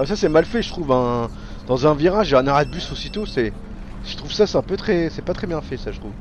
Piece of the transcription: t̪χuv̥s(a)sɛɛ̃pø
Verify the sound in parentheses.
correct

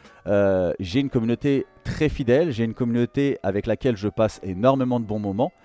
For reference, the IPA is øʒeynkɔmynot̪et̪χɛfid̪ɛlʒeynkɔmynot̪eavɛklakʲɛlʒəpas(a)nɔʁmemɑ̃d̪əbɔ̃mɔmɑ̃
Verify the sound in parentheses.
incorrect: e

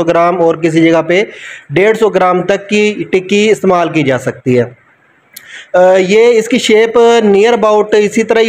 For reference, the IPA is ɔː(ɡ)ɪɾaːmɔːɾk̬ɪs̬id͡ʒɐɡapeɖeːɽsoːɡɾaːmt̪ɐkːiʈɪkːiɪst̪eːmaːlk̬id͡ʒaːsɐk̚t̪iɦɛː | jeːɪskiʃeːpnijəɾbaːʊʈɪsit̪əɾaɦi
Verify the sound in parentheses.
correct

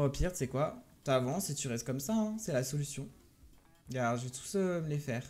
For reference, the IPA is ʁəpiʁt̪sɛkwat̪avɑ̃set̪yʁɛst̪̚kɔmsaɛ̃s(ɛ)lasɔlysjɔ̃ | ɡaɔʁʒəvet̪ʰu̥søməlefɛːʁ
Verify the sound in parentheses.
correct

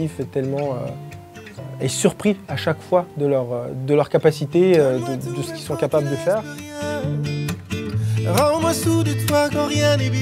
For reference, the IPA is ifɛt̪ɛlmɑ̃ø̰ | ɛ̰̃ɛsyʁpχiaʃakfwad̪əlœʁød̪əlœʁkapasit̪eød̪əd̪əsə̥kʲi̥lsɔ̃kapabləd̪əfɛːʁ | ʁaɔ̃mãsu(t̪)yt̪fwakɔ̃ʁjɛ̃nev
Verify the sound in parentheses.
incorrect: d̪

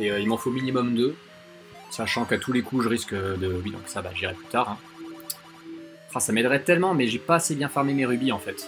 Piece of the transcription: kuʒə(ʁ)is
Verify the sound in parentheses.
correct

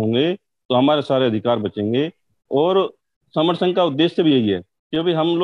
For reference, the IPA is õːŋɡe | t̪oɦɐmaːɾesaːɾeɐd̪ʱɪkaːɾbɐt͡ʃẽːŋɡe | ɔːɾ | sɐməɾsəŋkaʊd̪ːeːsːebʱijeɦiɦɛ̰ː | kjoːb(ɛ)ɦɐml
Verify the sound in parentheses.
incorrect: i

